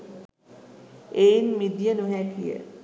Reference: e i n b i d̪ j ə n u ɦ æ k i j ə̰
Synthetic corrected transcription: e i n m i d̪ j ə n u ɦ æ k i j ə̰